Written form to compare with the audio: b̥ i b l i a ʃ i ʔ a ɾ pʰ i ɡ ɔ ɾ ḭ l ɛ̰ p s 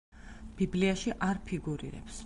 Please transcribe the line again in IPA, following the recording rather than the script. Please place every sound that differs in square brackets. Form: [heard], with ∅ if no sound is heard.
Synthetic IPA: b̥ i b l i a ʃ i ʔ a ɾ pʰ i ɡ [u] ɾ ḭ [ɾ] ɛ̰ p s